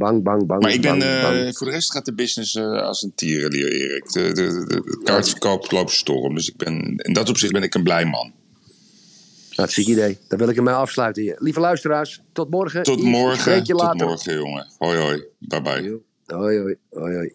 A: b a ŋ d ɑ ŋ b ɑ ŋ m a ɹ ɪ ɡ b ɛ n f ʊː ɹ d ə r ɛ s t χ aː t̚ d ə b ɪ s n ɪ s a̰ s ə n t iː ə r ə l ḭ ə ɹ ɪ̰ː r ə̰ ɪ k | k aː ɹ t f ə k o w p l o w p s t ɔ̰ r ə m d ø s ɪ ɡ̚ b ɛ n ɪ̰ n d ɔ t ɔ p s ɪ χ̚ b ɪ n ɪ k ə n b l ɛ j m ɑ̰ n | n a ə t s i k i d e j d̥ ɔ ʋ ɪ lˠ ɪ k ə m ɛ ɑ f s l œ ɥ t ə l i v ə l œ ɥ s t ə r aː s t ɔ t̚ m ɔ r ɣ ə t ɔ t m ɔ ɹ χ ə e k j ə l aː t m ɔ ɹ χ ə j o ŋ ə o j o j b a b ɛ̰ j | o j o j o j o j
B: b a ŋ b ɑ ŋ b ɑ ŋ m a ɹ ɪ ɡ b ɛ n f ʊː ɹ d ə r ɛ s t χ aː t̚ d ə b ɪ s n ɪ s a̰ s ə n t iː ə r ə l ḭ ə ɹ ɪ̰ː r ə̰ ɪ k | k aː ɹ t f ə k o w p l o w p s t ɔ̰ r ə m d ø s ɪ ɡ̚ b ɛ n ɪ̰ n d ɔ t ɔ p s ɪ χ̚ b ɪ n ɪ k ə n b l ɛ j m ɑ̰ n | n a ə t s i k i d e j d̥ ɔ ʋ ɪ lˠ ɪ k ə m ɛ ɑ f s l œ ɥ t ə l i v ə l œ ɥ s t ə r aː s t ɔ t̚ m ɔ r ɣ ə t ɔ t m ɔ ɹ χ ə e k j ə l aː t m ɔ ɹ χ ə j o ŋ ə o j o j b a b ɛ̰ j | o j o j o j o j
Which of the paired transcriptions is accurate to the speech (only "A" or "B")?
B